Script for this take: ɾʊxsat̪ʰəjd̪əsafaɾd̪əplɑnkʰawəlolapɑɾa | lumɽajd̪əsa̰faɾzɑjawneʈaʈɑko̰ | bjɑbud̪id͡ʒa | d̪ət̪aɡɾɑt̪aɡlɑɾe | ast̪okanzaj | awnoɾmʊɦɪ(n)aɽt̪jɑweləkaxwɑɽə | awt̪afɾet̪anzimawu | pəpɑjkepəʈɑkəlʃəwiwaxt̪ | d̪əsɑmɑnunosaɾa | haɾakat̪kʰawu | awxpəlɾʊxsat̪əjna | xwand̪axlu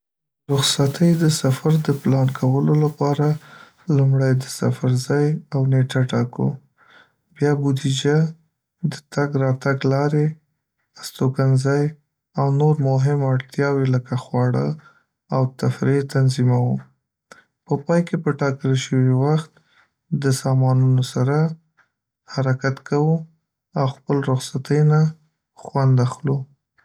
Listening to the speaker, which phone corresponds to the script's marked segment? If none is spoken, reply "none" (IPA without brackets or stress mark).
m